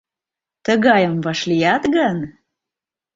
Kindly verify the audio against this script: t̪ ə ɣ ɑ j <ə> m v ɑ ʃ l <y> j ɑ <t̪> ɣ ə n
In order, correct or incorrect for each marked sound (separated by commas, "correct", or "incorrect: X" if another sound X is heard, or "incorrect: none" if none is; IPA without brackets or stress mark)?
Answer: correct, incorrect: i, correct